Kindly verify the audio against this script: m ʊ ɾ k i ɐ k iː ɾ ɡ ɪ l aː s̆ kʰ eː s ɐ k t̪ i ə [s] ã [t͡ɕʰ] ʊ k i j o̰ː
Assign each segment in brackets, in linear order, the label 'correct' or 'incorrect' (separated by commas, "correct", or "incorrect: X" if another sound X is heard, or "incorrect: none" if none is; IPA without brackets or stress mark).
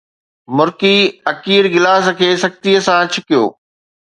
correct, correct